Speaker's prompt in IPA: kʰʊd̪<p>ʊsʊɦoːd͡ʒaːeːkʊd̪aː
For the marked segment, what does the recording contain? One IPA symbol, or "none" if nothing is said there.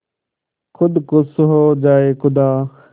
k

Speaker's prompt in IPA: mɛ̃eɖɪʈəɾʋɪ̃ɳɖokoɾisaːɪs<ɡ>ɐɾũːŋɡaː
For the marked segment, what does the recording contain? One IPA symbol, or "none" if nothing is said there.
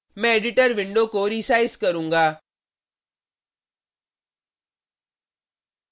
k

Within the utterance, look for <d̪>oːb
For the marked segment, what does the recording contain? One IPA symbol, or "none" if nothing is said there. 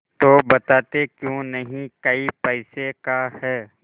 t̪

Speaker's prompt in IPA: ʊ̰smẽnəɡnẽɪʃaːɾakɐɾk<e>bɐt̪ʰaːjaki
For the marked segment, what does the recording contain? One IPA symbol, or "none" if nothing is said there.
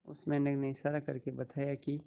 e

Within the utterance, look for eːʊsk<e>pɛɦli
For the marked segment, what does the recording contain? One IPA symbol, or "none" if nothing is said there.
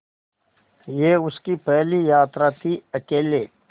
i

